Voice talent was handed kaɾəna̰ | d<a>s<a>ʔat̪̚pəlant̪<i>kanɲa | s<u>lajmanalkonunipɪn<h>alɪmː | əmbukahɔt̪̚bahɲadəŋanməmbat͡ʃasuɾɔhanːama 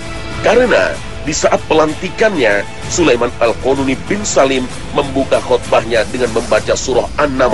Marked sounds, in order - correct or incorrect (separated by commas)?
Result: incorrect, correct, correct, correct, incorrect